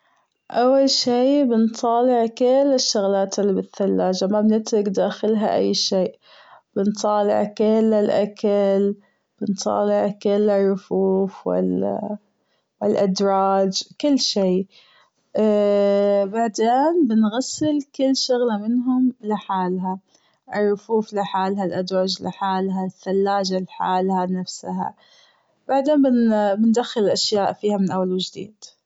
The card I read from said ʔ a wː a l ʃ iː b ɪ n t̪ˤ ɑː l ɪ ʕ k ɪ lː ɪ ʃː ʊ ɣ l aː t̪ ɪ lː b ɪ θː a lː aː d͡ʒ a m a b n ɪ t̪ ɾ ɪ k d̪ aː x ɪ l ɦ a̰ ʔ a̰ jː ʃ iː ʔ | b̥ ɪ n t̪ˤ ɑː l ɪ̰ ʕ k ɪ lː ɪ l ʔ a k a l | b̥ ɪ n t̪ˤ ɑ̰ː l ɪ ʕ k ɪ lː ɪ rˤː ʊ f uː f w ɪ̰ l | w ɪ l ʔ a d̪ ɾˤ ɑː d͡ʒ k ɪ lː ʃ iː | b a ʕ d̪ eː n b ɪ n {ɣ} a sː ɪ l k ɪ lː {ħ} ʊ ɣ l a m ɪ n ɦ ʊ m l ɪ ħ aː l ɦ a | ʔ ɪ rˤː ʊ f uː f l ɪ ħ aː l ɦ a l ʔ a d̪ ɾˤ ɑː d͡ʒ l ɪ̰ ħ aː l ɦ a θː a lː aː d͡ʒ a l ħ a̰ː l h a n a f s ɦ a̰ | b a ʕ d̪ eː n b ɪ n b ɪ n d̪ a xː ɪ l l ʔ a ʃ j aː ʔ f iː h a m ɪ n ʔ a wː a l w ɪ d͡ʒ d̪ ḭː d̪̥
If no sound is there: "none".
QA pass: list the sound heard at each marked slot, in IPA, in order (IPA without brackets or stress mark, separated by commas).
ɣ, ʃ